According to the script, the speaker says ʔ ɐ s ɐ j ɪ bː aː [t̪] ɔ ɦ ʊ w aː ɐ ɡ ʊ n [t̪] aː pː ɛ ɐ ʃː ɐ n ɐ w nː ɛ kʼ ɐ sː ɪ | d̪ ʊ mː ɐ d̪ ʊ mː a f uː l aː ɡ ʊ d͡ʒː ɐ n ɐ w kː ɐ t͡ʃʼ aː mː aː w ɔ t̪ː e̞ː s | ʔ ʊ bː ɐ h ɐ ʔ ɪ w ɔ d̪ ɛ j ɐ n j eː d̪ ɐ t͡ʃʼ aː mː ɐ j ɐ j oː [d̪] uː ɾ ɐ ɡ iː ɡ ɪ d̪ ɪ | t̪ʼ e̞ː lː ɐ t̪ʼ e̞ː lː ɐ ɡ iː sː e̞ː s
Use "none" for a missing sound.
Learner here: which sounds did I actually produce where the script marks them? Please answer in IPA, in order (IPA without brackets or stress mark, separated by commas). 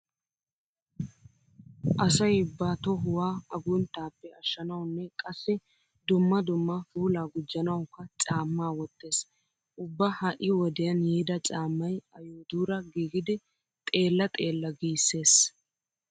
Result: t̪, t̪, d̪